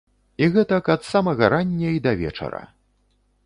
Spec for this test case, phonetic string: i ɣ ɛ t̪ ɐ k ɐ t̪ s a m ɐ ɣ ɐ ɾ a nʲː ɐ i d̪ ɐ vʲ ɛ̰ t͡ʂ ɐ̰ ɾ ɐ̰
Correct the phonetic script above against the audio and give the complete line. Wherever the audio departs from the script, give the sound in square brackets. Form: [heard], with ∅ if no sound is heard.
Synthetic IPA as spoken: i ɣ ɛ t̪ ɐ k ɐ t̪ s a m ɐ ɣ ɐ ɾ a nʲː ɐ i d̪ ɐ vʲ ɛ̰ t͡ʂ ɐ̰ ɾ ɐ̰